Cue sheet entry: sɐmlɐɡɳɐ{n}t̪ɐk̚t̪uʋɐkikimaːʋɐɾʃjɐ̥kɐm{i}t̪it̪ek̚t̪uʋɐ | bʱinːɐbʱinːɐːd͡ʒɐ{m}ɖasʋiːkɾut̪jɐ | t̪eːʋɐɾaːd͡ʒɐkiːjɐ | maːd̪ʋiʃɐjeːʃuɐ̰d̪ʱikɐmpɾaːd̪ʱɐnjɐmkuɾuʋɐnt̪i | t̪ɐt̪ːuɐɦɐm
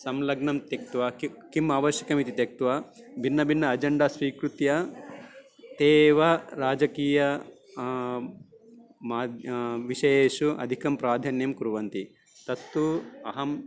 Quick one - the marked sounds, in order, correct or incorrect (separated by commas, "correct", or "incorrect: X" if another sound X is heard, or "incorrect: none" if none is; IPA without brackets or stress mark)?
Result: incorrect: m, correct, incorrect: ɳ